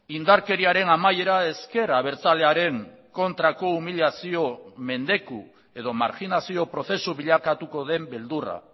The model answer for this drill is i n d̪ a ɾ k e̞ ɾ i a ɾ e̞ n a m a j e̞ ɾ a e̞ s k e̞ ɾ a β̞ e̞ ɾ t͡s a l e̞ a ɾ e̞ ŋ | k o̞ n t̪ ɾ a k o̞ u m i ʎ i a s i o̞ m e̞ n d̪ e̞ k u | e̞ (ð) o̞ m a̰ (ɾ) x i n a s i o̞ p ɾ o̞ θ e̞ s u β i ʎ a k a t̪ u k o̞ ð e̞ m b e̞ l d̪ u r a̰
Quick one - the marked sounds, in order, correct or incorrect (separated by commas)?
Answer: correct, correct